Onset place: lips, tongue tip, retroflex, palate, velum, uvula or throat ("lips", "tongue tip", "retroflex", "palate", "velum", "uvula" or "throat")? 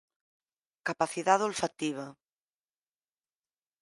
velum